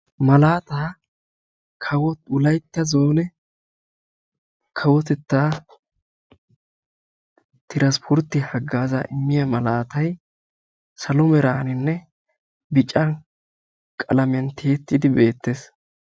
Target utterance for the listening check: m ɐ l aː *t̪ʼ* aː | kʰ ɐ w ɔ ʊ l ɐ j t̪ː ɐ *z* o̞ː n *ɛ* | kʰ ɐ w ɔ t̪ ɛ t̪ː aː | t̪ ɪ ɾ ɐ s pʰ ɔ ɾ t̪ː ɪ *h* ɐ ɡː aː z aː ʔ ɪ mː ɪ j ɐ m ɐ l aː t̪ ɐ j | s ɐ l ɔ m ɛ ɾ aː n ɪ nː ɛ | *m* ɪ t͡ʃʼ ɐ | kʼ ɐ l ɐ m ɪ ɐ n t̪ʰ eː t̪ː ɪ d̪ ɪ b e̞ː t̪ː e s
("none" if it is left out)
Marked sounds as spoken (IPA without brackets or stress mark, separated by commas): t̪, z, ɛ, h, b